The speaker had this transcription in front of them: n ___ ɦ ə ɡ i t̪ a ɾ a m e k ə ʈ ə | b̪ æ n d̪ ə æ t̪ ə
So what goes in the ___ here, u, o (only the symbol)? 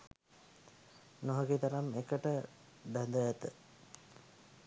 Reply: o